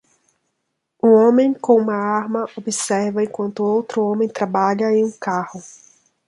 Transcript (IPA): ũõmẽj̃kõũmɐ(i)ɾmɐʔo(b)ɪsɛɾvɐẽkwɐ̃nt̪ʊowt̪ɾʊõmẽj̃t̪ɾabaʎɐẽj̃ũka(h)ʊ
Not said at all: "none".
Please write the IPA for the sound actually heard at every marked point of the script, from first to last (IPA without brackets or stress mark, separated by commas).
a, b, h